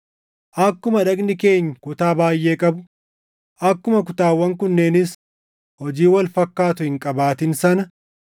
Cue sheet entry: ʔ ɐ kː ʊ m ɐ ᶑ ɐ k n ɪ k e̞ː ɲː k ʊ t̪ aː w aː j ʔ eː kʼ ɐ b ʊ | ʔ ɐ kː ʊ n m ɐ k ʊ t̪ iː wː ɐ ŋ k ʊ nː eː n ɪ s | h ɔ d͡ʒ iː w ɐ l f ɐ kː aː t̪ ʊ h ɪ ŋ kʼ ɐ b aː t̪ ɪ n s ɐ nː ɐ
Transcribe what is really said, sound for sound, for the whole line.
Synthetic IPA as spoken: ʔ ɐ kː ʊ m ɐ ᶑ ɐ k n ɪ k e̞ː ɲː k ʊ t̪ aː b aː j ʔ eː kʼ ɐ b ʊ | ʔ ɐ kː ʊ m ɐ k ʊ t̪ aː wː ɐ ŋ k ʊ nː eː n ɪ s | h ɔ d͡ʒ iː w ɐ l f ɐ kː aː t̪ ʊ h ɪ ŋ kʼ ɐ b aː t̪ ɪ n s ɐ n ɐ